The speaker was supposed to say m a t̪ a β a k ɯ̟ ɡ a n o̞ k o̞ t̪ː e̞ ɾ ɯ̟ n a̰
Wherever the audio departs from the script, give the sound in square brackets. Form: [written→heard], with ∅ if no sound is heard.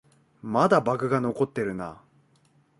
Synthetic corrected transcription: m a [t̪→d̪] a [β→b] a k ɯ̟ ɡ a n o̞ k o̞ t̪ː e̞ ɾ ɯ̟ n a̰